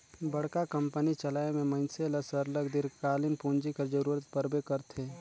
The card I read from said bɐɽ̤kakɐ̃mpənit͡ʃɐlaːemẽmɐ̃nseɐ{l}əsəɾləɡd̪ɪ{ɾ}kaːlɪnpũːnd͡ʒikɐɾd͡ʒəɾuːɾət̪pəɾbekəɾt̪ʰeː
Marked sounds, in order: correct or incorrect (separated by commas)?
correct, correct